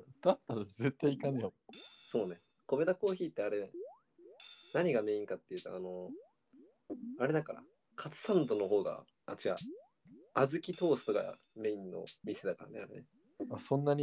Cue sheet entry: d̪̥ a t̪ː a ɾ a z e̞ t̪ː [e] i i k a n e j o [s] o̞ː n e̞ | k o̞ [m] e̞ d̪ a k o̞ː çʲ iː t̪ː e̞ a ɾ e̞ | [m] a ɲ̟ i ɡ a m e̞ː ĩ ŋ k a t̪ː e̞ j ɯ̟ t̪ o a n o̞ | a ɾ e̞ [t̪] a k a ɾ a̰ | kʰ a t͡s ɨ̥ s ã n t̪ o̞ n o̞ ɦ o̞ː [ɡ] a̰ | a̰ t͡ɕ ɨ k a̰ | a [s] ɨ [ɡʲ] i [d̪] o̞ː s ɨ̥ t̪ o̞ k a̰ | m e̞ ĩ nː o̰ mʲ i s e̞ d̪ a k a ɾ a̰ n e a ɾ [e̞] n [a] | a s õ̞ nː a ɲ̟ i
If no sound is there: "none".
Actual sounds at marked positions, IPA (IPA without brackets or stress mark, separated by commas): a, s, m, n, d̪, ɡ, z, kʲ, t̪, e̞, e